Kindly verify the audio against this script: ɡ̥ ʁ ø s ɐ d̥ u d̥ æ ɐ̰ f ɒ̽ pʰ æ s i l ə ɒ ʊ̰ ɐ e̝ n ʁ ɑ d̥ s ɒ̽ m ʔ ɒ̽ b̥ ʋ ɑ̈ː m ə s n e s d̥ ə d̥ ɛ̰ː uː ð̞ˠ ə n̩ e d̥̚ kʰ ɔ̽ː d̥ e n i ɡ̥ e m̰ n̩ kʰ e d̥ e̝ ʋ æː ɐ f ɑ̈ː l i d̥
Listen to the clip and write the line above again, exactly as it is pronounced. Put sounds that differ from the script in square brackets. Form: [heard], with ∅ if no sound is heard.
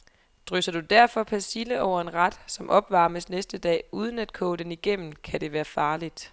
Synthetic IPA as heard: [d̥] ʁ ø s ɐ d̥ u d̥ æ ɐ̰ f ɒ̽ pʰ æ s i l ə ɒ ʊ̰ ɐ e̝ n ʁ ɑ d̥ s ɒ̽ m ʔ ɒ̽ b̥ ʋ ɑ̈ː m ə s n e s d̥ ə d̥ ɛ̰ː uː ð̞ˠ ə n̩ [æ] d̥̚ kʰ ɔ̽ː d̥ e n i ɡ̥ e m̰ n̩ kʰ [æ] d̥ e̝ ʋ æː ɐ f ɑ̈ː l i d̥